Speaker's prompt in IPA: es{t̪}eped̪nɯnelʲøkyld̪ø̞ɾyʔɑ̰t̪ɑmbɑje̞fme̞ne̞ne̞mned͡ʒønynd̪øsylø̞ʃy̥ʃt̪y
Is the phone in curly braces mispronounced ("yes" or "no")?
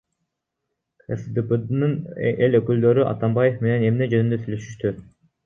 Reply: yes